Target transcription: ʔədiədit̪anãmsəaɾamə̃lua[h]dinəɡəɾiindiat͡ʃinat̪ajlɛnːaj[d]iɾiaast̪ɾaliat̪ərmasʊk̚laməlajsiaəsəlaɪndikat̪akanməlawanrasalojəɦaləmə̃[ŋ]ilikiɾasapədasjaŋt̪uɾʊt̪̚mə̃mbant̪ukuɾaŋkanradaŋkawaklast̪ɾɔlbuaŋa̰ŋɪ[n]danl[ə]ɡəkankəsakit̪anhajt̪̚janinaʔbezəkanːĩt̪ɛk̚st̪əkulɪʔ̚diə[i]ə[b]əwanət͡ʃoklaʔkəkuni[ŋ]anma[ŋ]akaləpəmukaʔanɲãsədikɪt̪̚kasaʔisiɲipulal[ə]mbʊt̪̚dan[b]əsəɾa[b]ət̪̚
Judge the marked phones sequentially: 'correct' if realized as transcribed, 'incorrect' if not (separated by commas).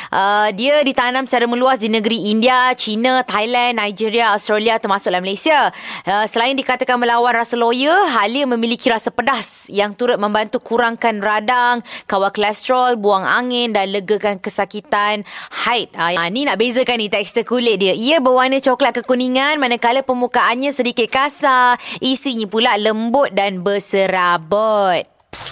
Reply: incorrect, incorrect, incorrect, correct, correct, correct, correct, correct, incorrect, correct, correct, correct